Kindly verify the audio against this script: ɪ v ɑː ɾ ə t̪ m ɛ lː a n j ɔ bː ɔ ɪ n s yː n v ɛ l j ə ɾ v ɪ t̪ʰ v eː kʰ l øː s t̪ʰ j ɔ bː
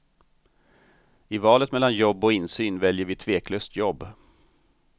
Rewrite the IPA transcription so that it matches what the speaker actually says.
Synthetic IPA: ɪ v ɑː l ə t̪ m ɛ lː a n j ɔ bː ɔ ɪ n s yː n v ɛ l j ə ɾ v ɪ t̪ʰ v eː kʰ l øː s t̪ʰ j ɔ bː